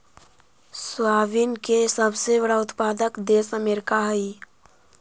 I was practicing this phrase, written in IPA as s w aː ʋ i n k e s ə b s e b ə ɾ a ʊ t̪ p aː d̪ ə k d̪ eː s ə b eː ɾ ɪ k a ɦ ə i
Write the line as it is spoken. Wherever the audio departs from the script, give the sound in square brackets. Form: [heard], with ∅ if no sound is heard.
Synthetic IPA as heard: s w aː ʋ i n k e s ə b s e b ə [ɽ] a ʊ t̪ p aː d̪ ə k d̪ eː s ə [m] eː ɾ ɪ k a ɦ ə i

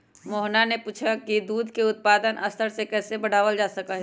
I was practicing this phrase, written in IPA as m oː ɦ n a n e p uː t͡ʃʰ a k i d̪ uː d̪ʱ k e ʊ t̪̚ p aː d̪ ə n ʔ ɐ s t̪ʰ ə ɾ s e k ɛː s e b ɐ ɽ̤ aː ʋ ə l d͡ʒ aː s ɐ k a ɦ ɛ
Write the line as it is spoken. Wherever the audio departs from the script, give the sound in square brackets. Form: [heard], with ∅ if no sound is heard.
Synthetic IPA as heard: m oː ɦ n a n e p uː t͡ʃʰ a k i d̪ uː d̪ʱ k e ʊ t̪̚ p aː d̪ ə n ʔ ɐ s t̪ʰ ə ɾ s e k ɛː s e b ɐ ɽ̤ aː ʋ ə l d͡ʒ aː s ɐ k a ɦ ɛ

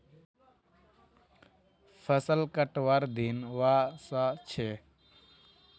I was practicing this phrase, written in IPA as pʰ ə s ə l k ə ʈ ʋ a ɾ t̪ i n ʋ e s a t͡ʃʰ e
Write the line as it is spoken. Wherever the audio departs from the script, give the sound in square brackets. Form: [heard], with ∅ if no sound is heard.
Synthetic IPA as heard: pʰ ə s ə l k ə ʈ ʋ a ɾ [d̪] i n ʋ [a] s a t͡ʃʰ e

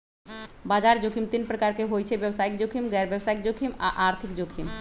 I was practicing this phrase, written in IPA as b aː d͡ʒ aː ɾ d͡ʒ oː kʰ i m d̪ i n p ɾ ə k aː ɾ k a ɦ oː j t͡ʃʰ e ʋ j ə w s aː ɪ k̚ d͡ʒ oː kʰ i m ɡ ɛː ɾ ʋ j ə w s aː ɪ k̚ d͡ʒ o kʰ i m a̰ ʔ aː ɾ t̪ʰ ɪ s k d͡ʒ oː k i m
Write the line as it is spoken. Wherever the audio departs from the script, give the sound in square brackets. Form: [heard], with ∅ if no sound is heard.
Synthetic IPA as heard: b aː d͡ʒ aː ɾ d͡ʒ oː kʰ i m [t̪] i n p ɾ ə k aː ɾ k [e] ɦ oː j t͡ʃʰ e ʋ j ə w s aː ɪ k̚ d͡ʒ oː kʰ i m ɡ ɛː ɾ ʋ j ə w s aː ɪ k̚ d͡ʒ o kʰ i m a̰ ʔ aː ɾ t̪ʰ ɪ [∅] k d͡ʒ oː [kʰ] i m

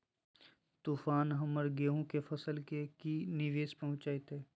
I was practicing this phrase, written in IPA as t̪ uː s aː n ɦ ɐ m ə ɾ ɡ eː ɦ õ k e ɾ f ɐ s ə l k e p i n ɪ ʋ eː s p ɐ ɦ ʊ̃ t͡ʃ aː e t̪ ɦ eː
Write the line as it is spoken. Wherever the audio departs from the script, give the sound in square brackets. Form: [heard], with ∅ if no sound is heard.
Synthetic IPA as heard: t̪ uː [f] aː n ɦ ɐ m ə ɾ ɡ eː ɦ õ k e [∅] f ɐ s ə l k e [k] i n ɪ ʋ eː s p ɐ ɦ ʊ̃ t͡ʃ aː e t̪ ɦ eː

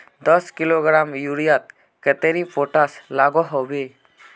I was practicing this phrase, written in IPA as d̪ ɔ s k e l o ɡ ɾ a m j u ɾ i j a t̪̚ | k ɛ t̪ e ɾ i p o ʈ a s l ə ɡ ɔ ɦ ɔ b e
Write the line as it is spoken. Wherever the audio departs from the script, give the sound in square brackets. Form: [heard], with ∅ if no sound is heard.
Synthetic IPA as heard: d̪ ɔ s k [i] l o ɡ ɾ a m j u ɾ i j a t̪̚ | k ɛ t̪ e ɾ i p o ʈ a s l [a] ɡ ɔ ɦ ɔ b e

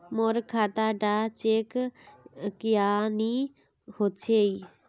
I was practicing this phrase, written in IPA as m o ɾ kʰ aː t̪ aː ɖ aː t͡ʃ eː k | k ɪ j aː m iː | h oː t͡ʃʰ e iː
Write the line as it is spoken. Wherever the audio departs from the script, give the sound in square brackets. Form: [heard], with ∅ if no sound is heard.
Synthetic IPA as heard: m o ɾ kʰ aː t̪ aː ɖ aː t͡ʃ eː k | k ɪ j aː [n] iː | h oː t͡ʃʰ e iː

